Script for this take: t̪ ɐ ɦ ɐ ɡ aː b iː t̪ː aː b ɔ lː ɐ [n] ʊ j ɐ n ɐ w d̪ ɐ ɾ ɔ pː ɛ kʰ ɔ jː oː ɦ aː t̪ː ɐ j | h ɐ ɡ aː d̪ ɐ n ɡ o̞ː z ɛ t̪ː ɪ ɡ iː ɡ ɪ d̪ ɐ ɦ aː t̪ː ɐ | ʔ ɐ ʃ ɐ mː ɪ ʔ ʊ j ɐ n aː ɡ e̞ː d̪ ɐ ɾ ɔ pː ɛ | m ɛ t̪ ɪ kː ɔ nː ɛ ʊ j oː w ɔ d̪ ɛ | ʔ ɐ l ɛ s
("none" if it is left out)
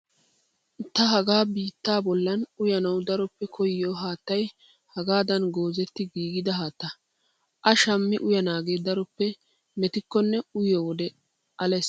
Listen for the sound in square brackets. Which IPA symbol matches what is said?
n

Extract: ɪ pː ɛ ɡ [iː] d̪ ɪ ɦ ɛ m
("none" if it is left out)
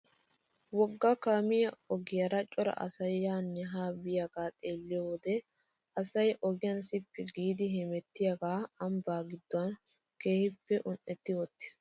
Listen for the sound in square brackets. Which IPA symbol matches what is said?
iː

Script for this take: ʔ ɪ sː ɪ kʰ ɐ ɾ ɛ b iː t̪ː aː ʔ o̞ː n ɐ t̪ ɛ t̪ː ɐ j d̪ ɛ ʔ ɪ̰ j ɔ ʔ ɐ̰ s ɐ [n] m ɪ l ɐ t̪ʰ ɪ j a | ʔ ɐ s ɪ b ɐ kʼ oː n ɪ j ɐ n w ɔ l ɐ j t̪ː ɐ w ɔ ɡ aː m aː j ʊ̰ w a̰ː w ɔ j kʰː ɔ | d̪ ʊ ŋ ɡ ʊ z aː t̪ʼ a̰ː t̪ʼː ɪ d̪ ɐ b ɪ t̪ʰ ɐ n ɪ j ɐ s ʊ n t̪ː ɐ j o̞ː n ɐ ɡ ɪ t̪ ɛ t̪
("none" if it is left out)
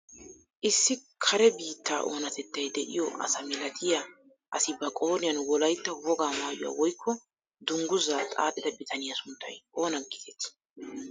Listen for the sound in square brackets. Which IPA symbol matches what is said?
none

